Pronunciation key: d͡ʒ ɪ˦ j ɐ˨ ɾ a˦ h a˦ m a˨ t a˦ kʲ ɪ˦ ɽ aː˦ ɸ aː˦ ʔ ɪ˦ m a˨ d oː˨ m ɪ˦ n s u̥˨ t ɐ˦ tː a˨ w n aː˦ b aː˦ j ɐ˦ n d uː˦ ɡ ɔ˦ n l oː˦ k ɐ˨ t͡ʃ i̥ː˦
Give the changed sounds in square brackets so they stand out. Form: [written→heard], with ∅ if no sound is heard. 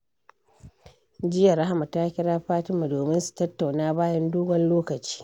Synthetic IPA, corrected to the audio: d͡ʒ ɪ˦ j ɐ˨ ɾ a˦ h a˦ m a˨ t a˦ kʲ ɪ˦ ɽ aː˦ ɸ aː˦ [ʔ→t] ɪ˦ m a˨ d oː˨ m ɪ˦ n s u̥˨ t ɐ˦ tː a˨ w n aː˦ b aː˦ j ɐ˦ n d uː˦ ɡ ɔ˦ n l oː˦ k ɐ˨ t͡ʃ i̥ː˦